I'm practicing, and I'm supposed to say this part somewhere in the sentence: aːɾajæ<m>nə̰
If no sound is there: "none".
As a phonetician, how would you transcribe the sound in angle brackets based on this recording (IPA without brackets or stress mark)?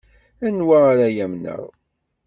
m